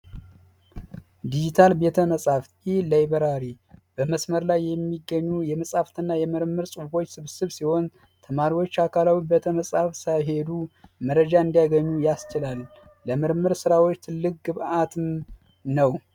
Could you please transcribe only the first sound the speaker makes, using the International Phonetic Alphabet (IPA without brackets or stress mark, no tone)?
d̪